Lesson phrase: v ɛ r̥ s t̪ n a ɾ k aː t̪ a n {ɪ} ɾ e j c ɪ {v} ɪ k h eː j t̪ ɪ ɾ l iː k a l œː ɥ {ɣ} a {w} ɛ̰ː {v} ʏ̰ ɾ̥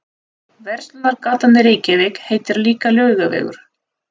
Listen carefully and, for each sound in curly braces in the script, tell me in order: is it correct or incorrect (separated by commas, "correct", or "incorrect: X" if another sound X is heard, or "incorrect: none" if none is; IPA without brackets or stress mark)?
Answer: correct, correct, correct, incorrect: v, incorrect: ɣ